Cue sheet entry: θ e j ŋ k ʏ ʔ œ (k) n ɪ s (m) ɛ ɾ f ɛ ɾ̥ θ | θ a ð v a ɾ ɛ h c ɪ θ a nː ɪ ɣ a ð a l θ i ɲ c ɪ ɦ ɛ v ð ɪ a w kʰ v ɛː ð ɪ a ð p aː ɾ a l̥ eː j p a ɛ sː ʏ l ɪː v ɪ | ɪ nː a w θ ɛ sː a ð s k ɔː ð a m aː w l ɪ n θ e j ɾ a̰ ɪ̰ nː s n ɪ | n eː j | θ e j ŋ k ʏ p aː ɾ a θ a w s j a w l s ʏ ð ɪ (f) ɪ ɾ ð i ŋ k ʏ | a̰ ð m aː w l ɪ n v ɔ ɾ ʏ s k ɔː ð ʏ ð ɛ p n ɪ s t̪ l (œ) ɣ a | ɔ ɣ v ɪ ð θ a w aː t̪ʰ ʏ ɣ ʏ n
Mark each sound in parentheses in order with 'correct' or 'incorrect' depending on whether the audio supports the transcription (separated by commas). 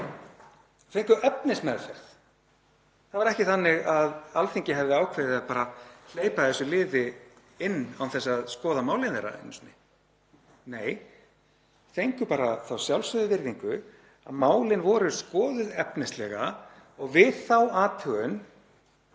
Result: incorrect, correct, incorrect, incorrect